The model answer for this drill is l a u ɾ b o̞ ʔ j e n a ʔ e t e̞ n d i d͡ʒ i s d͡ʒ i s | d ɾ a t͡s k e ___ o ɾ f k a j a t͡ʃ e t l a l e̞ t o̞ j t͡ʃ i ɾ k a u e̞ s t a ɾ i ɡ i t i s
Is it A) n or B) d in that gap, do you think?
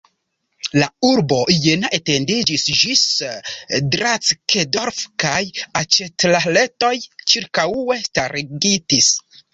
B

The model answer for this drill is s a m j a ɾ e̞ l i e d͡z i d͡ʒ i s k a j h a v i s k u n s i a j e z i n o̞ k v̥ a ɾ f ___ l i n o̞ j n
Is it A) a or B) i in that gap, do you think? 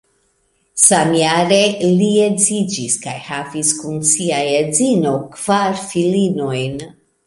B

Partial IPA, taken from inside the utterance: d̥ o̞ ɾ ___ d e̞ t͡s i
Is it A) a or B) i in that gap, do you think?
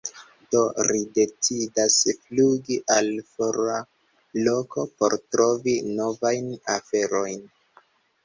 B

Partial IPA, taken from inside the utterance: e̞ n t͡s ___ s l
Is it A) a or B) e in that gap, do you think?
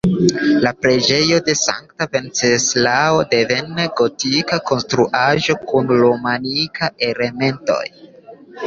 B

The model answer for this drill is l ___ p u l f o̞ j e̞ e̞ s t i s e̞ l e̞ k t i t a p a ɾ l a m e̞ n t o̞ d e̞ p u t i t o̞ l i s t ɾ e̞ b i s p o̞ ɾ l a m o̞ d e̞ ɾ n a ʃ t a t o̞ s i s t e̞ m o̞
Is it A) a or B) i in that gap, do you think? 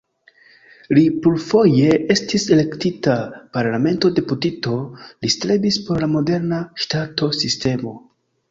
B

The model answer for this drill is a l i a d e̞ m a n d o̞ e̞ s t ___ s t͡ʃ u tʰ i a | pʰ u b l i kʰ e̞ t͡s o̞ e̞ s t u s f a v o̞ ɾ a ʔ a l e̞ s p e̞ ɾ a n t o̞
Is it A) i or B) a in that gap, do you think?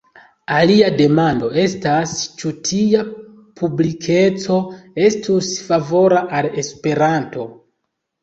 B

